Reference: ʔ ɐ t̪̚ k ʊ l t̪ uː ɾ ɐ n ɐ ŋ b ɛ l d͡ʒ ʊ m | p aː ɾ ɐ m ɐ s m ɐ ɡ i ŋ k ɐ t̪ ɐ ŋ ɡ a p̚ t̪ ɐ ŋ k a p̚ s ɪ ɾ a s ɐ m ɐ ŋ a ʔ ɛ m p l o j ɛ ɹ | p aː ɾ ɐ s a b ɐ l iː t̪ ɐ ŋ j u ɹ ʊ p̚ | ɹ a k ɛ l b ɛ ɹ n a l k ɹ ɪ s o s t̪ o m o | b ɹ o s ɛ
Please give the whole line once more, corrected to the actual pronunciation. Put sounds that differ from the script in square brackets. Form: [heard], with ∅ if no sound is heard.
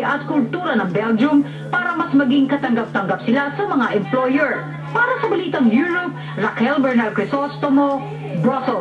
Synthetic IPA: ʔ ɐ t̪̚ k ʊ l t̪ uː ɾ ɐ n ɐ ŋ b ɛ l d͡ʒ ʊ m | p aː ɾ ɐ m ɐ s m ɐ ɡ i ŋ k ɐ t̪ ɐ ŋ ɡ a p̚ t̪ ɐ ŋ [ɡ] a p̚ s ɪ [l] a s ɐ m ɐ ŋ a ʔ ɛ m p l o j ɛ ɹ | p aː ɾ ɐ s [ɐ] b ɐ l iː t̪ ɐ ŋ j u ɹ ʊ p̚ | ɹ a k ɛ l b ɛ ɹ n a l k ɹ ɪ s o s t̪ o m o | b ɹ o s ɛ

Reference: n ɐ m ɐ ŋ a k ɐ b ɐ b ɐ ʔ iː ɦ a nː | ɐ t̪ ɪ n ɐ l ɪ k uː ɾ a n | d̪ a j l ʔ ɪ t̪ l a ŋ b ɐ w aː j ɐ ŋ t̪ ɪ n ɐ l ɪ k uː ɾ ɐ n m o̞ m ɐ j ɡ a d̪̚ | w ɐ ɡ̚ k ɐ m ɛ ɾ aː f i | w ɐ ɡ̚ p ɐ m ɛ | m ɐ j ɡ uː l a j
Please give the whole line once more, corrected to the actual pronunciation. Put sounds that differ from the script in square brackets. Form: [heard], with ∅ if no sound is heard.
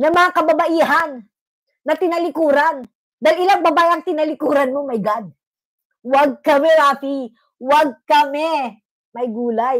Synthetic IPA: n ɐ m ɐ ŋ a k ɐ b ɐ b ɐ ʔ iː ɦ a nː | ɐ t̪ ɪ n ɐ l ɪ k uː ɾ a n | d̪ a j l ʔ ɪ [∅] l a ŋ b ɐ [b] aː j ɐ ŋ t̪ ɪ n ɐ l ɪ k uː ɾ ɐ n m o̞ m ɐ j ɡ a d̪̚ | w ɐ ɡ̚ k ɐ m ɛ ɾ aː f i | w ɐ ɡ̚ [k] ɐ m ɛ | m ɐ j ɡ uː l a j

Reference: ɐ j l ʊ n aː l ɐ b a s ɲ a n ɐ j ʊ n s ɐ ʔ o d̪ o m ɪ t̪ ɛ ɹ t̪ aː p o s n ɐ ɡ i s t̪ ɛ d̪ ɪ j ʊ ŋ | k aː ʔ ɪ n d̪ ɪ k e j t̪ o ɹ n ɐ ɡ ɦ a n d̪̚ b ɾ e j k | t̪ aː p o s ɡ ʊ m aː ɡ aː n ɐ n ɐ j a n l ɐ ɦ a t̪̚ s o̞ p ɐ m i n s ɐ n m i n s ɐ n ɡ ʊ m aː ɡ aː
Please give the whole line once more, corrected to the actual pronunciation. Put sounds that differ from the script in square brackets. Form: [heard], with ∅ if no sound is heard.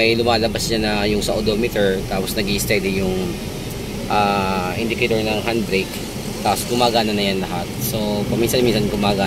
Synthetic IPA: ɐ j l ʊ [m] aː l ɐ b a s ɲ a n ɐ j ʊ [ŋ] s ɐ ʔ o d̪ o m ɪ t̪ ɛ ɹ t̪ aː p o s n ɐ ɡ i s t̪ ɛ d̪ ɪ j ʊ ŋ | [ʔ] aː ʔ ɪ n d̪ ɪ k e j t̪ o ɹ n ɐ [ŋ] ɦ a n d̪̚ b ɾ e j k | t̪ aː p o s ɡ ʊ m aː ɡ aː n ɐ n ɐ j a n l ɐ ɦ a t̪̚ s o̞ p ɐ m i n s ɐ n m i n s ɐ n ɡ ʊ m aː ɡ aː

